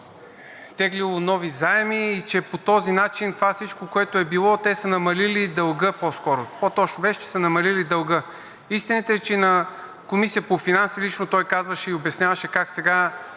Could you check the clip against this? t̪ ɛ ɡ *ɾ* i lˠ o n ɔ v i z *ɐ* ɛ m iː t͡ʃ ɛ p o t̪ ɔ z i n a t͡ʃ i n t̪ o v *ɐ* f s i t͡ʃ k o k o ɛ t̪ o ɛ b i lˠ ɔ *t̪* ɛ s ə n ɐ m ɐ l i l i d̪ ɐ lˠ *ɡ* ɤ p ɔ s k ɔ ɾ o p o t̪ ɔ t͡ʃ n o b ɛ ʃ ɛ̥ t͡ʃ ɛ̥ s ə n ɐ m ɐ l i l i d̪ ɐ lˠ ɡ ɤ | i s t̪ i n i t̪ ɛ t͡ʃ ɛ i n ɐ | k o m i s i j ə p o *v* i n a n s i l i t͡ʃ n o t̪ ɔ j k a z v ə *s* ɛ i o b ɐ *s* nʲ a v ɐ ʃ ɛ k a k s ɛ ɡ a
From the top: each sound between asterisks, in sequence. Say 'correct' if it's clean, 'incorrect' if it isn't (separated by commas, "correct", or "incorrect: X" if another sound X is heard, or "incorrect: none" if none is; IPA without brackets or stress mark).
incorrect: l, incorrect: a, incorrect: a, correct, correct, incorrect: f, incorrect: ʃ, correct